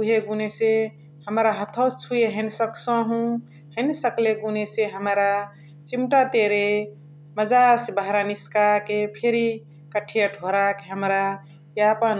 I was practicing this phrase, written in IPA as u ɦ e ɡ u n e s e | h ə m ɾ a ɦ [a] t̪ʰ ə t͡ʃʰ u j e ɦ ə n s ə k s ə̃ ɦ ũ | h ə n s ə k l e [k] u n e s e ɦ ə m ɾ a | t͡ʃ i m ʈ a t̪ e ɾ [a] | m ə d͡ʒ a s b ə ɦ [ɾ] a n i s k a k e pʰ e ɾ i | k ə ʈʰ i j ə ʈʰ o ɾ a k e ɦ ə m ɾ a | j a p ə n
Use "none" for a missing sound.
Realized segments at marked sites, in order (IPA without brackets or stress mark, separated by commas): ə, ɡ, e, ɾ